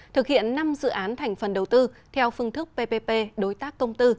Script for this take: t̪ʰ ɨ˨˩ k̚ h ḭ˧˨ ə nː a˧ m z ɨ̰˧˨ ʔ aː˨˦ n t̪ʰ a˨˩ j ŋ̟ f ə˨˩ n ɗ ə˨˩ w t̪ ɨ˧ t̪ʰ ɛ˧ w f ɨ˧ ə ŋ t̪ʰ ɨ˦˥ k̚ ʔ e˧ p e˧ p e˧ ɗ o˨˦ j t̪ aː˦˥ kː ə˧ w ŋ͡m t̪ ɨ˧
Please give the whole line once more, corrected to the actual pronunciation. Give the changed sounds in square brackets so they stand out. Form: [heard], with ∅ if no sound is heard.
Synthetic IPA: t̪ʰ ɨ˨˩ k̚ h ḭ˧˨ ə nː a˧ m z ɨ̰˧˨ ʔ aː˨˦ n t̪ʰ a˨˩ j ŋ̟ f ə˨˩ n ɗ ə˨˩ w t̪ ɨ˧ t̪ʰ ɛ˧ w f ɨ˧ ə ŋ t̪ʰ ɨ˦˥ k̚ [p] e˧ p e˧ p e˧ ɗ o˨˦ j t̪ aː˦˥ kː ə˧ w ŋ͡m t̪ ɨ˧